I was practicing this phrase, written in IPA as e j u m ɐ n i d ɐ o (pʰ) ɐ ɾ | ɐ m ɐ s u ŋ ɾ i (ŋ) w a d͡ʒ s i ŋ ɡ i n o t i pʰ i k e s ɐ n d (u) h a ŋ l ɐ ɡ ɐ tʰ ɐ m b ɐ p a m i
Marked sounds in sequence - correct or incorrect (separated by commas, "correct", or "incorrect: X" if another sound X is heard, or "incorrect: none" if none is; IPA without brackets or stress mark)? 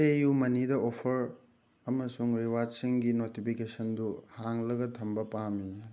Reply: correct, incorrect: none, correct